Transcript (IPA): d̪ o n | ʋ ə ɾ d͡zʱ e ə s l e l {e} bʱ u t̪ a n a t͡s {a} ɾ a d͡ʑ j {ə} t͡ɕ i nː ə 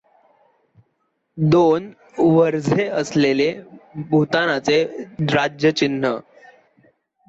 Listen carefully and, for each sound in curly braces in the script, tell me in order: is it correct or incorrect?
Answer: correct, incorrect: e, correct

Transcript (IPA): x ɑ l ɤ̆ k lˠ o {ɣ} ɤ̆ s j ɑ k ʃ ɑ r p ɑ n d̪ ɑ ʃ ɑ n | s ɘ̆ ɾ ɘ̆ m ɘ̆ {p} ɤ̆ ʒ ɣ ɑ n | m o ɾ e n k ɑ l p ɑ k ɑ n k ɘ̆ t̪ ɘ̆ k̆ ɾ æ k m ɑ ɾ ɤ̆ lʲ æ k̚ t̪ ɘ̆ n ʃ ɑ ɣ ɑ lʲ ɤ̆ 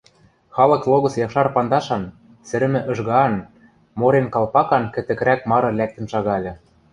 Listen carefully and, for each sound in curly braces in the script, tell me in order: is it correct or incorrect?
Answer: correct, incorrect: ʔ

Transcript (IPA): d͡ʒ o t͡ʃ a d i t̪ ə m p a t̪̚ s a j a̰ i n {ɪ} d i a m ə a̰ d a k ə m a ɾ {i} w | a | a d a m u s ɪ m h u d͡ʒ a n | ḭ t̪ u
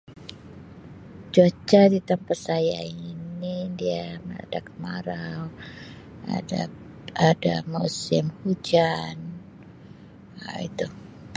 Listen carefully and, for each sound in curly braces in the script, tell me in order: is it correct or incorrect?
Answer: incorrect: i, incorrect: a

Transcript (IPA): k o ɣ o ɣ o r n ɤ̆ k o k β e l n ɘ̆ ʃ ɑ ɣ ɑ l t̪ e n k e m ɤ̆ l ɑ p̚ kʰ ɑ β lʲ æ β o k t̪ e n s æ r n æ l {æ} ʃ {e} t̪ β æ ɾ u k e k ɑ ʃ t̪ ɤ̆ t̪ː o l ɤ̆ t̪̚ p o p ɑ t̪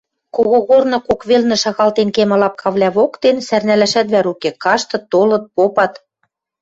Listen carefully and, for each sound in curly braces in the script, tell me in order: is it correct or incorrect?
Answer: correct, incorrect: æ

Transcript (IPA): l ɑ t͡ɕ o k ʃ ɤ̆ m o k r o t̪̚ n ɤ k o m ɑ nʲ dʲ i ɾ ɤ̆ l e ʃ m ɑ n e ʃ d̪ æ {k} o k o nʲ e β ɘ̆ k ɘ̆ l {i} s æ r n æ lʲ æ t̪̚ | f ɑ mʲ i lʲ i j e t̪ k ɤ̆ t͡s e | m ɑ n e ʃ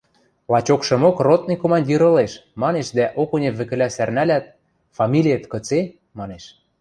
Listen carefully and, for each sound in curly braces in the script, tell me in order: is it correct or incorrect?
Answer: incorrect: ʔ, incorrect: æ

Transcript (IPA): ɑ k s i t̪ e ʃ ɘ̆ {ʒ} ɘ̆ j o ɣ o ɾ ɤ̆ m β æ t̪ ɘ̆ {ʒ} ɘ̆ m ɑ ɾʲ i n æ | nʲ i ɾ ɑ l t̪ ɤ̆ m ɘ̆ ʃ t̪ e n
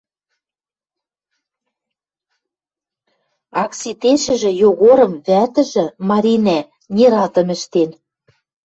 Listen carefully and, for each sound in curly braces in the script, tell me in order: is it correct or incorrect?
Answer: correct, correct

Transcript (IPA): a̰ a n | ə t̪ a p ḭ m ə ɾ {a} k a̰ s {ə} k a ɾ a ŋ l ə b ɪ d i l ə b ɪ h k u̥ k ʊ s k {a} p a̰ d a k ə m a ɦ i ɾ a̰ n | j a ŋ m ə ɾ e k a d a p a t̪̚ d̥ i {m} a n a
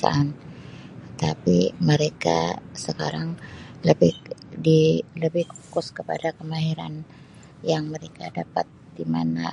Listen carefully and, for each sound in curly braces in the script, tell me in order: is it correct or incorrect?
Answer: incorrect: e, correct, incorrect: ə, correct

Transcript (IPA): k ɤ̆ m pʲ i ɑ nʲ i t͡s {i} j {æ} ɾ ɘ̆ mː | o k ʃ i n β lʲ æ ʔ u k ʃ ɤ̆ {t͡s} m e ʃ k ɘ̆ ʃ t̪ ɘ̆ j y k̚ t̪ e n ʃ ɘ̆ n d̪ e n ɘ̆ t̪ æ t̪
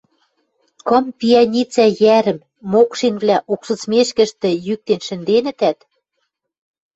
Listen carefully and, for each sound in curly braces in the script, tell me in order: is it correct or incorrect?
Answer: incorrect: æ, correct, correct

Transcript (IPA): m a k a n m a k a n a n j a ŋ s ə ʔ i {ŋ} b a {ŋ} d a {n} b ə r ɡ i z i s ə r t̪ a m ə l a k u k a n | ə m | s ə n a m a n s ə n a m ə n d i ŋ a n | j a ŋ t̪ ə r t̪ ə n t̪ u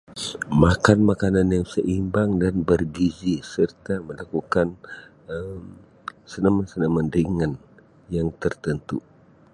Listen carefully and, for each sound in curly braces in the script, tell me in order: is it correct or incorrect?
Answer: incorrect: m, correct, correct

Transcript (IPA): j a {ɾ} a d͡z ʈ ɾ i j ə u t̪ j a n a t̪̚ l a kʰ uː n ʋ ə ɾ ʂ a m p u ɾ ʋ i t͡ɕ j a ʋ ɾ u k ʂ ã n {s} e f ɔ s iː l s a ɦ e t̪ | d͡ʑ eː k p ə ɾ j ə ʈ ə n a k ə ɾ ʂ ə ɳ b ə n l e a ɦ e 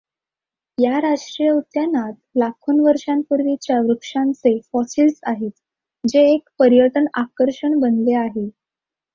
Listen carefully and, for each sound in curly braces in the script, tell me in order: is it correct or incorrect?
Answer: correct, incorrect: t͡s

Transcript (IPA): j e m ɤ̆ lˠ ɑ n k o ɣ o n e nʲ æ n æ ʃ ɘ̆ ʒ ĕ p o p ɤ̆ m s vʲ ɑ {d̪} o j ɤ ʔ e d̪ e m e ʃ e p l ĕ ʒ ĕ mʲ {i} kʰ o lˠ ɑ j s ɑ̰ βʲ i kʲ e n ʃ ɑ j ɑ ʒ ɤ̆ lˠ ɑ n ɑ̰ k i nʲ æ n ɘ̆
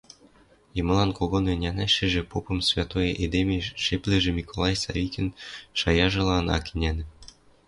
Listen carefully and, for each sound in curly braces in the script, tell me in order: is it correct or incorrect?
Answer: incorrect: t̪, correct

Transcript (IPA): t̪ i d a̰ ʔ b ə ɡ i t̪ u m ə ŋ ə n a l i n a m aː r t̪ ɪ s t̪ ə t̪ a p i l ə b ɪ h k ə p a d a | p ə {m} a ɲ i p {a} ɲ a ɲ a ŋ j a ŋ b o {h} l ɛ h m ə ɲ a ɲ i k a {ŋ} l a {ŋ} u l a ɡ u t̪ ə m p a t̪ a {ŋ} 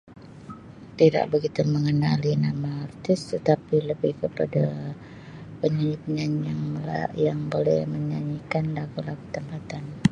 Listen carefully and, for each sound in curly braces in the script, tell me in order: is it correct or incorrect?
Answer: incorrect: ɲ, incorrect: ə, incorrect: none, incorrect: n, incorrect: ɡ, incorrect: n

